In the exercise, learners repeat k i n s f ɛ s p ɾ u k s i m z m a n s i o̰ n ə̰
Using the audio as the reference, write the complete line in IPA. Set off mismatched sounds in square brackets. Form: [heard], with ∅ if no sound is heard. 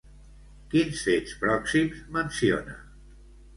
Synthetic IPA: k i n s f [e] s p ɾ [ɔ] k s i m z m [ə] n s i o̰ n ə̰